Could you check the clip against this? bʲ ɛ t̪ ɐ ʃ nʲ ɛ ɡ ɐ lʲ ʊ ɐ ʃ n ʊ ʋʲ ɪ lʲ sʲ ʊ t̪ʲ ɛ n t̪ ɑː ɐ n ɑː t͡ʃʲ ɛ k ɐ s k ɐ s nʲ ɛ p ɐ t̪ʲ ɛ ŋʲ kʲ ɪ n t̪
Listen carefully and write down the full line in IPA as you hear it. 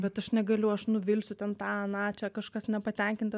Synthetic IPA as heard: bʲ ɛ t̪ ɐ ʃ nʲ ɛ ɡ ɐ lʲ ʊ ɐ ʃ n ʊ ʋʲ ɪ lʲ sʲ ʊ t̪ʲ ɛ n t̪ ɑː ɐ n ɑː t͡ʃʲ ɛ k ɐ ʃ k ɐ s nʲ ɛ p ɐ t̪ʲ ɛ ŋʲ kʲ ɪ n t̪

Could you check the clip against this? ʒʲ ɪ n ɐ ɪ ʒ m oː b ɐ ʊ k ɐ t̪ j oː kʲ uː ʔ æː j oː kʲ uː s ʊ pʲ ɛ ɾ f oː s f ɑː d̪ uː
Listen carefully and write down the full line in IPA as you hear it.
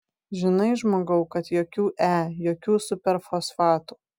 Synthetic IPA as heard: ʒʲ ɪ n ɐ ɪ ʒ m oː ɡ ɐ ʊ k ɐ t̪ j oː kʲ uː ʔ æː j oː kʲ uː s ʊ pʲ ɛ ɾ f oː s f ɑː t̪ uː

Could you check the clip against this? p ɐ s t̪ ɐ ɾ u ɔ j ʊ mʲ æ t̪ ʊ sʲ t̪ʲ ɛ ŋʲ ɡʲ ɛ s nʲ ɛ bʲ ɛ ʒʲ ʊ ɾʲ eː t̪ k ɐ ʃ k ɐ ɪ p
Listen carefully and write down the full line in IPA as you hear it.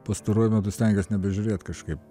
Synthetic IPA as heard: p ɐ s t̪ ɐ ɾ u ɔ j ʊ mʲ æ t̪ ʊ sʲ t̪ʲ ɛ ŋʲ ɡʲ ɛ s nʲ ɛ bʲ ɛ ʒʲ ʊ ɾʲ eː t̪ k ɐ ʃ k ɐ ɪ p

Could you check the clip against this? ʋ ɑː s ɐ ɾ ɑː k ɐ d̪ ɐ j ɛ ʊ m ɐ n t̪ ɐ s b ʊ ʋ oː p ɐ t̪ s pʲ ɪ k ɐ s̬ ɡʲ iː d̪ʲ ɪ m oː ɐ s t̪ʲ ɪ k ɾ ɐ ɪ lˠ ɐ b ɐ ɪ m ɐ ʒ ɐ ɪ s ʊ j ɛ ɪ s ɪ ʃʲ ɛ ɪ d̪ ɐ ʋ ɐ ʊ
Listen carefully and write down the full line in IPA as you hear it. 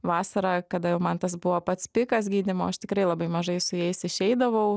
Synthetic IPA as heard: ʋ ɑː s ɐ ɾ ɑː k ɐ d̪ ɐ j ɛ ʊ m ɐ n t̪ ɐ s b ʊ ʋ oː p ɐ t̪ s pʲ ɪ k ɐ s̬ ɡʲ iː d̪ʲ ɪ m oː ɐ ʃ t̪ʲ ɪ k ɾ ɐ ɪ lˠ ɐ b ɐ ɪ m ɐ ʒ ɐ ɪ s ʊ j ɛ ɪ s ɪ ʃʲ ɛ ɪ d̪ ɐ ʋ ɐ ʊ

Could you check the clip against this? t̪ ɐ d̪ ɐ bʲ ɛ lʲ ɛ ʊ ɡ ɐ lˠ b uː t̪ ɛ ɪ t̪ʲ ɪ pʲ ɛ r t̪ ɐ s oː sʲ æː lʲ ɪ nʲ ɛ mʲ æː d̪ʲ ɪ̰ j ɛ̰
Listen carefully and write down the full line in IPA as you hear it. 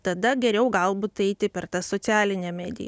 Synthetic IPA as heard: t̪ ɐ d̪ ɐ ɡʲ ɛ ɾʲ ɛ ʊ ɡ ɐ lˠ b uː t̪ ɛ ɪ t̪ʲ ɪ pʲ ɛ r t̪ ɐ s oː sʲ æː lʲ ɪ nʲ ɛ mʲ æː d̪ʲ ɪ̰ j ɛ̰

